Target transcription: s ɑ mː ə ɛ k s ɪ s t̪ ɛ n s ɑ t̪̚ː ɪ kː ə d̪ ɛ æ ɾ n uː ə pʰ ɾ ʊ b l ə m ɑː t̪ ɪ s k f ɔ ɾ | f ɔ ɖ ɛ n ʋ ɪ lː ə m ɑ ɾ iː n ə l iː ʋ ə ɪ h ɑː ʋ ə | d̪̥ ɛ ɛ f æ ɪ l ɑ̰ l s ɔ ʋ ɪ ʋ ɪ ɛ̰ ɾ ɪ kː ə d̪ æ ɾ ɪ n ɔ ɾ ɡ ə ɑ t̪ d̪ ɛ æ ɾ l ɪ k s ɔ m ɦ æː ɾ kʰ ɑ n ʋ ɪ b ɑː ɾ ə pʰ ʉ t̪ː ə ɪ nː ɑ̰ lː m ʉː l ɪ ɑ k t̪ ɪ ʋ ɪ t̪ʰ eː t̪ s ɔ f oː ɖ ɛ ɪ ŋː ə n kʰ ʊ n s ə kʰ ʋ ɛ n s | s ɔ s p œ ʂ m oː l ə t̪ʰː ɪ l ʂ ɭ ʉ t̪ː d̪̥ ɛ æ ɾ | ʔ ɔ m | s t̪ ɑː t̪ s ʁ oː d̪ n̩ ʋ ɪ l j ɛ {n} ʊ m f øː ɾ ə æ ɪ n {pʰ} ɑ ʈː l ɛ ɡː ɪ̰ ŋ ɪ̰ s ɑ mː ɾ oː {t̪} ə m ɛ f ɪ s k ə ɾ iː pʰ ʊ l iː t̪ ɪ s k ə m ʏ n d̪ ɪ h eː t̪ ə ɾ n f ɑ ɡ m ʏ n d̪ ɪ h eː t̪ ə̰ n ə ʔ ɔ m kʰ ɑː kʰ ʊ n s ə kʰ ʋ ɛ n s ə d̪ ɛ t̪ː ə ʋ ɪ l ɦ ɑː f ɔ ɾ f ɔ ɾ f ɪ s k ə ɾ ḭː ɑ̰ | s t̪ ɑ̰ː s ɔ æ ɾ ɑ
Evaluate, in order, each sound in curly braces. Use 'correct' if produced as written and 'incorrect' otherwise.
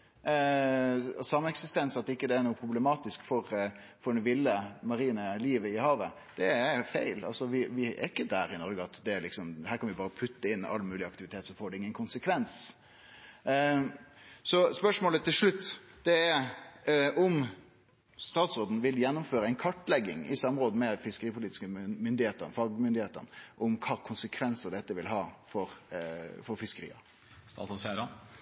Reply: incorrect, incorrect, incorrect

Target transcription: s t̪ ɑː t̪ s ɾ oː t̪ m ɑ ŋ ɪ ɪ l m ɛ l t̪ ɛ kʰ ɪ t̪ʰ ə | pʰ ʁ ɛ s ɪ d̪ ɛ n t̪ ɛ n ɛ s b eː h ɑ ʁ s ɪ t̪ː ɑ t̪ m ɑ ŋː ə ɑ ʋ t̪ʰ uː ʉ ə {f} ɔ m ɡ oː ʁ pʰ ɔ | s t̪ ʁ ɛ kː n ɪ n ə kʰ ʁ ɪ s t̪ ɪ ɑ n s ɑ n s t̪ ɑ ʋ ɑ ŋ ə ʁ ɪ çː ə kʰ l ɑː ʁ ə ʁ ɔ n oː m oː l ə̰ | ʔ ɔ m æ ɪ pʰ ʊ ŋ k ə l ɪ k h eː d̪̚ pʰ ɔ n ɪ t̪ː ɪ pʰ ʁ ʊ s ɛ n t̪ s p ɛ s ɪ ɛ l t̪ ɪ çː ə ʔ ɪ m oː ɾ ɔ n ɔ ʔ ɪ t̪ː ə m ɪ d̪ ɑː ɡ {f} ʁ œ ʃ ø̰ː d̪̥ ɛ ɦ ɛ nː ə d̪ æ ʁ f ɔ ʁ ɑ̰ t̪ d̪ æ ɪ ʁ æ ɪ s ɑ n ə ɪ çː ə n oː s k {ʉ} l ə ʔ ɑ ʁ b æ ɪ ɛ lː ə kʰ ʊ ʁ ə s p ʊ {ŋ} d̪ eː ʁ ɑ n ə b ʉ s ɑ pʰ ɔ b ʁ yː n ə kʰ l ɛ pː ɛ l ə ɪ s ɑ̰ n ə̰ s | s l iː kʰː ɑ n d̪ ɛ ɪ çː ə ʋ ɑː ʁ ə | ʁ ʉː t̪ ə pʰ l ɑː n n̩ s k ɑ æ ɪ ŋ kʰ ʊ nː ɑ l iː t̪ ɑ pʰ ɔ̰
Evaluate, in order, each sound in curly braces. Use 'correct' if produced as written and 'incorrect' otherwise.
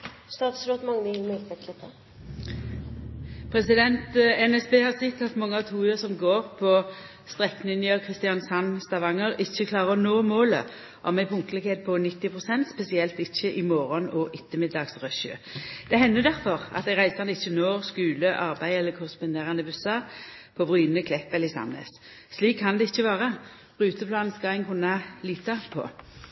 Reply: incorrect, incorrect, incorrect, incorrect

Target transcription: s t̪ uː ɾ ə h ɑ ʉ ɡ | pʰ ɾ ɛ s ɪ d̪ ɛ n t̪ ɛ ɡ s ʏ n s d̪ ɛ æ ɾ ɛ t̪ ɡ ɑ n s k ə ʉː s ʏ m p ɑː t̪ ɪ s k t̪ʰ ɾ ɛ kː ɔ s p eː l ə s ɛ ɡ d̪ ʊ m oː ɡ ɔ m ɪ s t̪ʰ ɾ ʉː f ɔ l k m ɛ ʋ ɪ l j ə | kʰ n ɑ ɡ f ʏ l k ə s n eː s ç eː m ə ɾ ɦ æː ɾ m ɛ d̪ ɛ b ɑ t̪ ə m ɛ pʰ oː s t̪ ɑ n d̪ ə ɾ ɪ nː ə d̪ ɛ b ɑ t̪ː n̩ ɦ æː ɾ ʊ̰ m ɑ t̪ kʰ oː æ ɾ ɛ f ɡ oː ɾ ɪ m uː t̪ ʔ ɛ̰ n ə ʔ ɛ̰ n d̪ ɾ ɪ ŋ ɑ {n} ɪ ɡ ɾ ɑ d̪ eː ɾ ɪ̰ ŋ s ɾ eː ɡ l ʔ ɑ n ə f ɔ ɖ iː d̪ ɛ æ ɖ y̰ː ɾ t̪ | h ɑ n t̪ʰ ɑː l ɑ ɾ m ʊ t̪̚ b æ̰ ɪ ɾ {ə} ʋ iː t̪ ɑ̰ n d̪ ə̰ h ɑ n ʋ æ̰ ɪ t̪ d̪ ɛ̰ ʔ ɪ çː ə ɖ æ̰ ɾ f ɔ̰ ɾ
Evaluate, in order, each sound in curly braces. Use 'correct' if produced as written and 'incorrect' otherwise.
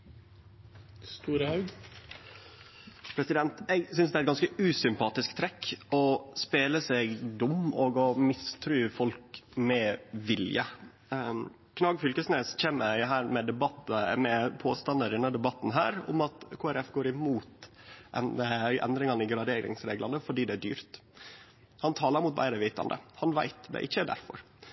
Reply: correct, correct

